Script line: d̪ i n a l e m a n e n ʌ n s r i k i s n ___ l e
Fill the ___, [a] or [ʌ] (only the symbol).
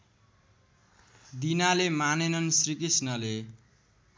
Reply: ʌ